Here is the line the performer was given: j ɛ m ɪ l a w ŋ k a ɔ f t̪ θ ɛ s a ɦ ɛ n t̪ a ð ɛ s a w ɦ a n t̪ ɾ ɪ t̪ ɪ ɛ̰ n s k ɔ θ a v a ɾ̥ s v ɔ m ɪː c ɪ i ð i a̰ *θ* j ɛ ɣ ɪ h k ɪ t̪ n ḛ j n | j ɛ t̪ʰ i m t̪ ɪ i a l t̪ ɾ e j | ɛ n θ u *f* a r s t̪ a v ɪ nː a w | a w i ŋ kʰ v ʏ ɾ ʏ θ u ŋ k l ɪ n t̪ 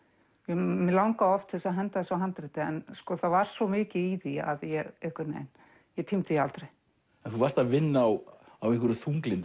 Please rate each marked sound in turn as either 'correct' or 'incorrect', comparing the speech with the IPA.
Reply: incorrect: ð, incorrect: v

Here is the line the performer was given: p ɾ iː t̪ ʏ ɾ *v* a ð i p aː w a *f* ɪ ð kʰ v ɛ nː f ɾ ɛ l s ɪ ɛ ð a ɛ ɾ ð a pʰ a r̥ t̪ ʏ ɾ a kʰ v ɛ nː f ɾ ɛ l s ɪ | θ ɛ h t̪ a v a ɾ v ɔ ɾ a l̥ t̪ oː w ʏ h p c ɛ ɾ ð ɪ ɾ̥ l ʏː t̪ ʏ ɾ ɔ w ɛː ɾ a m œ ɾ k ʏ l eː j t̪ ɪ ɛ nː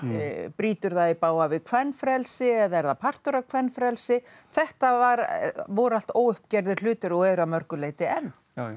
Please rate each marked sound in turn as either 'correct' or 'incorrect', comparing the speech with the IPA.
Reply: incorrect: ð, incorrect: v

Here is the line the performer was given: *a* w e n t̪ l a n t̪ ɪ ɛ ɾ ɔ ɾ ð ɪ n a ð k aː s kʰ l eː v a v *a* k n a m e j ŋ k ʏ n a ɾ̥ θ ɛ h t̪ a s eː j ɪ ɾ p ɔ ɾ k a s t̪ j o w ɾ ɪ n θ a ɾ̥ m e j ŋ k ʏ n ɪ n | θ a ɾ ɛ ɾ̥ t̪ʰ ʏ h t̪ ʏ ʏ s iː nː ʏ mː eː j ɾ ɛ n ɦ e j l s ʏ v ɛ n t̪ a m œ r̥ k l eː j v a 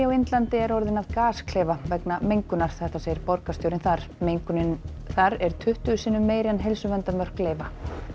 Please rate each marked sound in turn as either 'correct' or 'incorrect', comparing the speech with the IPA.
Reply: correct, incorrect: ɛ

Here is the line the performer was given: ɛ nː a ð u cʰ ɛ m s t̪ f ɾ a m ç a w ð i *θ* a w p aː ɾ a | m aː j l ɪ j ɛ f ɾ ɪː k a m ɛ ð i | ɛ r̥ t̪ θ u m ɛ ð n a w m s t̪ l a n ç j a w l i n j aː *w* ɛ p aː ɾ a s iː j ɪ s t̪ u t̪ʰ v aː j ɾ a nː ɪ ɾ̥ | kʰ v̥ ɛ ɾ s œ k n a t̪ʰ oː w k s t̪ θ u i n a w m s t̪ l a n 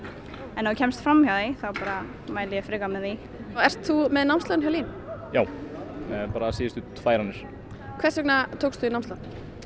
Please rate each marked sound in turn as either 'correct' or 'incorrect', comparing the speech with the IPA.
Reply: correct, correct

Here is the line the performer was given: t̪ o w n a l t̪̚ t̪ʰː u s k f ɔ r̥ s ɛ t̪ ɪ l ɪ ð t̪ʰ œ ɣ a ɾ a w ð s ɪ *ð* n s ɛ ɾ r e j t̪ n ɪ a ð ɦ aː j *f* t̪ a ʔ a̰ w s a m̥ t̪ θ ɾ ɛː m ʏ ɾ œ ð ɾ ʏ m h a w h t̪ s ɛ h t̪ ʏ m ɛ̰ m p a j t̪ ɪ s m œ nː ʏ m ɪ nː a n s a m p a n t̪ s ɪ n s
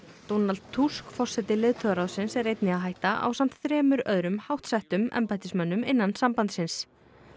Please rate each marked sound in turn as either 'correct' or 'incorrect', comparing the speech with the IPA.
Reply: incorrect: none, incorrect: h

